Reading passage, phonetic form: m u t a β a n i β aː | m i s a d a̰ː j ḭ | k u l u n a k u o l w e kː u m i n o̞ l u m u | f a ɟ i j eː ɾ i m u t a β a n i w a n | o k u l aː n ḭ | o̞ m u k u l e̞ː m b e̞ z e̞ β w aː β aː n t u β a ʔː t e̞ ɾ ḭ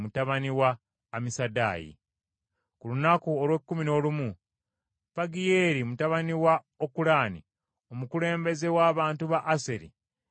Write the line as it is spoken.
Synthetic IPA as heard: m u t a β a n i w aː | m i s a d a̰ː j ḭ | k u l u n a k u o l w e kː u m i n o̞ l u m u | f a ɡ i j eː ɾ i m u t a β a n i w a | o k u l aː n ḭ | o̞ m u k u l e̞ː m b e̞ z e̞ w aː β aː n t u β a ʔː s e̞ ɾ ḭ